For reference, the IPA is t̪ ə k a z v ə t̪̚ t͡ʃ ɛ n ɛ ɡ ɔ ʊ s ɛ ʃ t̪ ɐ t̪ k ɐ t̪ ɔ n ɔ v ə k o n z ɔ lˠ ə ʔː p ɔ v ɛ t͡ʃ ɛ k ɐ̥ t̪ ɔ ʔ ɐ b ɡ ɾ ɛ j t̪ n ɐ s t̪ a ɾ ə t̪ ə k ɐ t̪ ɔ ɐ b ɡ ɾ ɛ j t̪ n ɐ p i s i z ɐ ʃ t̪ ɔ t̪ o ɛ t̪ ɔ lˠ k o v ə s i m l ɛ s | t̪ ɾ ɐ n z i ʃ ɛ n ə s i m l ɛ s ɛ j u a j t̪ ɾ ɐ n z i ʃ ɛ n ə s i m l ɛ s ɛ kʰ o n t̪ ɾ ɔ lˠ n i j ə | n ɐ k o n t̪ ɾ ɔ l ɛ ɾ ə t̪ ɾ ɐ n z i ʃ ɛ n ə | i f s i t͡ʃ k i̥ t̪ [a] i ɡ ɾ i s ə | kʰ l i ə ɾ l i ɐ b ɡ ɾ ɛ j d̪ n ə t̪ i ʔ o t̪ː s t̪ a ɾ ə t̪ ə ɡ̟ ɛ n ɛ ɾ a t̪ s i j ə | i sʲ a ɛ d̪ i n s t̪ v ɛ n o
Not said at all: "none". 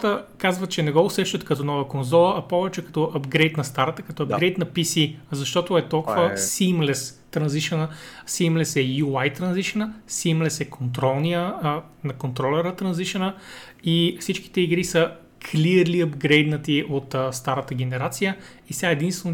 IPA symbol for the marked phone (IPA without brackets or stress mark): ɛ